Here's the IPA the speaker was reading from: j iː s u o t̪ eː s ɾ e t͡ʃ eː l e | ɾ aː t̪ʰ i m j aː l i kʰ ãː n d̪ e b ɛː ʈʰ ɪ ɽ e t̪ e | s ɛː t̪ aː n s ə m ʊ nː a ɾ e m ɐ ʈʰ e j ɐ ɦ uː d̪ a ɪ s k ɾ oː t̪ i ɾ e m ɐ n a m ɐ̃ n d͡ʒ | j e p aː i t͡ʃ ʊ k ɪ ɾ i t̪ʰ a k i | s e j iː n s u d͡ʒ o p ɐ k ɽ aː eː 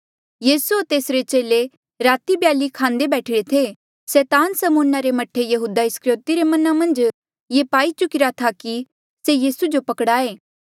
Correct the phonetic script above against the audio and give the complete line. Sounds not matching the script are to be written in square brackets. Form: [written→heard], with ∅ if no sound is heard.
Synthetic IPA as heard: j iː s u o t̪ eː s ɾ e t͡ʃ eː l e | ɾ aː [t̪ʰ→t̪] i [m→b] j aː l i kʰ ãː n d̪ e b ɛː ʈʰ ɪ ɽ e [t̪→t̪ʰ] e | s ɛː t̪ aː n s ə m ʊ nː a ɾ e m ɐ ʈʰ e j ɐ ɦ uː d̪ a ɪ s k ɾ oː t̪ i ɾ e m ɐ n a m ɐ̃ n d͡ʒ | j e p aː i t͡ʃ ʊ k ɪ ɾ [i→a] t̪ʰ a k i | s e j iː [n→∅] s u d͡ʒ o p ɐ k ɽ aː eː